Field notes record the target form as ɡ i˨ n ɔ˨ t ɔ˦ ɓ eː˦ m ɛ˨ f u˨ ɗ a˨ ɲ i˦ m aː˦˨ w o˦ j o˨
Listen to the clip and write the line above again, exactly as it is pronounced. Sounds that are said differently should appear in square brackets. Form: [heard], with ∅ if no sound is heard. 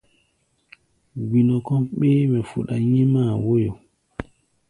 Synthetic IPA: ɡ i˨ n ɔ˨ [k] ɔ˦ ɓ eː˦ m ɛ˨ f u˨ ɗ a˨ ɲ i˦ m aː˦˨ w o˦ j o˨

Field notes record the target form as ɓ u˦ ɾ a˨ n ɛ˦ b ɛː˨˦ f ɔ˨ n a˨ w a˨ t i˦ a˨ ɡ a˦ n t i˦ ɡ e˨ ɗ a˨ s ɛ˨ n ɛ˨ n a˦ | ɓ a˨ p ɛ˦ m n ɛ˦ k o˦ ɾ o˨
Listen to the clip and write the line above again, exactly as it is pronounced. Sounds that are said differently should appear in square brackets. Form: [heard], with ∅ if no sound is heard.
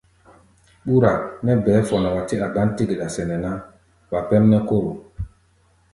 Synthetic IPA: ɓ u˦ ɾ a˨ n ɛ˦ b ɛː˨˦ f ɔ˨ n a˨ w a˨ t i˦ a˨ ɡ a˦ n t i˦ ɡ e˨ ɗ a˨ s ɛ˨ n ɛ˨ n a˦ | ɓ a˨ p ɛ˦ m n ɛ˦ k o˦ ɾ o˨

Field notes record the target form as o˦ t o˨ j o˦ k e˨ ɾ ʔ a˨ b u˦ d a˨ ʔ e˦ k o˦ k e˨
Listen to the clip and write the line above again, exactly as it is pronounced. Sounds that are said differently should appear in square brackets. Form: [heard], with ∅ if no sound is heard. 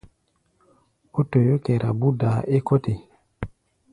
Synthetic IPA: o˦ t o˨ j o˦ k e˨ ɾ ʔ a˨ b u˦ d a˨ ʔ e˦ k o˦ [t] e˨

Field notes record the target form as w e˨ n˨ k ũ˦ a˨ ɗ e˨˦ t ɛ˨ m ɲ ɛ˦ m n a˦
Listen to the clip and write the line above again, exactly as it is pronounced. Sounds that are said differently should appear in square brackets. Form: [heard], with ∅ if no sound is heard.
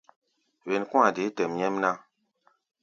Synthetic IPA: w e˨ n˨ k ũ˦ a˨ [d] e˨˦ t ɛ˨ m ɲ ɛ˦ m n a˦

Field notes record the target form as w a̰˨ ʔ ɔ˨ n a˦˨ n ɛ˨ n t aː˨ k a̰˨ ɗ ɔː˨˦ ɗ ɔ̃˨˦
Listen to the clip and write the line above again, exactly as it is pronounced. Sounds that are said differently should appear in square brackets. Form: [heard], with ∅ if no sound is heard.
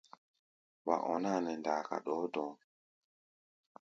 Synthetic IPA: w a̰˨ ʔ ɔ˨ n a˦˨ n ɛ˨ n [d] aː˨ k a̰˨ ɗ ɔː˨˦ [d] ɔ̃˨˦

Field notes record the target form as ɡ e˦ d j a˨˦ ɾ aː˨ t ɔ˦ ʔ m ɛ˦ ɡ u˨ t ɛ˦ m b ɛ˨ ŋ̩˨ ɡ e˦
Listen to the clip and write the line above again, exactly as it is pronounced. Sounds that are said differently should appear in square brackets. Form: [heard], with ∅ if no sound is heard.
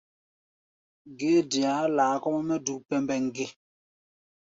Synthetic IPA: ɡ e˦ d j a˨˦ [l] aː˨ [k] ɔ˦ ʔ m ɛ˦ [d] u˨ [p] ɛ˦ m b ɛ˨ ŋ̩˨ ɡ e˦

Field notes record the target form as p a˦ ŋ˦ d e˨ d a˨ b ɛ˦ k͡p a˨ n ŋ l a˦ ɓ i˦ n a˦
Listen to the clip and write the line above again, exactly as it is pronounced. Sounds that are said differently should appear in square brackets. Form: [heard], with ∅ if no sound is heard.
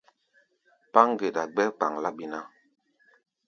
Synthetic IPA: p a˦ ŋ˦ [ɡ] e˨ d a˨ [ɡ͡b] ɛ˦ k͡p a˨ [∅] ŋ l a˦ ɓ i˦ n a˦

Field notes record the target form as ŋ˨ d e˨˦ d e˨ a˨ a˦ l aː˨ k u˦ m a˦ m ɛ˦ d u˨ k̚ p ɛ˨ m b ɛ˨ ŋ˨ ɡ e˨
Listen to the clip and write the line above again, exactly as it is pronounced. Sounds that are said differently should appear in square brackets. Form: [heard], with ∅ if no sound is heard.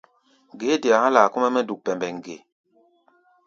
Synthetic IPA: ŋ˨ [ɡ] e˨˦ d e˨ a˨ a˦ l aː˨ k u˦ m [ɛ˦] m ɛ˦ d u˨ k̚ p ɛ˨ m b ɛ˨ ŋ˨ ɡ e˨

